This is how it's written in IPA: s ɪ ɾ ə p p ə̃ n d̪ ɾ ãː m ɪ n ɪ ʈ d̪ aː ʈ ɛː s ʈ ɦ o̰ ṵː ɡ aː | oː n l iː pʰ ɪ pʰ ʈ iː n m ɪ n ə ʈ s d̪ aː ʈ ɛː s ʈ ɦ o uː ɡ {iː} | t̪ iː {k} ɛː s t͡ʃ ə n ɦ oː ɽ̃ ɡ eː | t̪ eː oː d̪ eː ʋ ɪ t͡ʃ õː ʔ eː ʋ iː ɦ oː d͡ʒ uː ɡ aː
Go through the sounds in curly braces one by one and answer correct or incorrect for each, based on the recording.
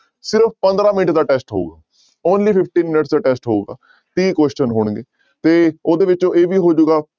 incorrect: aː, correct

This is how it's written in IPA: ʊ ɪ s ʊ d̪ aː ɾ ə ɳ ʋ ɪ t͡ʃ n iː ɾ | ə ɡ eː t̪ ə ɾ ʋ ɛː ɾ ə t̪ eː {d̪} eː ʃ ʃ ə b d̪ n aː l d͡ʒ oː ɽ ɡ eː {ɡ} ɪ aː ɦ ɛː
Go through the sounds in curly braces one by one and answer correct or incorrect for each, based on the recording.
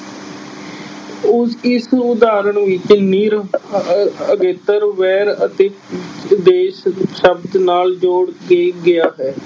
correct, correct

